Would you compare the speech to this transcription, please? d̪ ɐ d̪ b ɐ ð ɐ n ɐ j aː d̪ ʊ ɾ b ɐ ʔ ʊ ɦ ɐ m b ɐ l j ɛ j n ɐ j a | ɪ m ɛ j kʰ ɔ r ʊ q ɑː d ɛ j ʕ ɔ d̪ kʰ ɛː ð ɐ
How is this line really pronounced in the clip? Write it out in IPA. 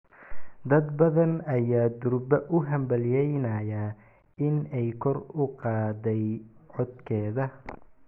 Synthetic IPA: d̪ ɐ d̪ b ɐ ð ɐ n ɐ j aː d̪ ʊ ɾ b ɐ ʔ ʊ ɦ ɐ m b ɐ l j ɛ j n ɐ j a | ɪ n ɛ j kʰ ɔ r ʊ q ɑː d ɛ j ʕ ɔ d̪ kʰ ɛː ð ɐ